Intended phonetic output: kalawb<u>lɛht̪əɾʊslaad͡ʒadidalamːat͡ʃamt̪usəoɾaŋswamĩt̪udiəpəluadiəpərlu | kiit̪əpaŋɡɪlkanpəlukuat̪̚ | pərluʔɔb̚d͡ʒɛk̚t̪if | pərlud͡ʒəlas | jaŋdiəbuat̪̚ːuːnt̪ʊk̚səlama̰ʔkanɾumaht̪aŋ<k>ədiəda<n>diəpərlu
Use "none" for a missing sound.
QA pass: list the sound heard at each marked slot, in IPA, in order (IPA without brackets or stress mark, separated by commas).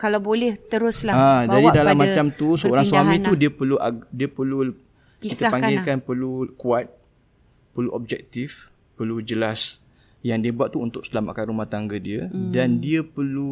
o, ɡ, n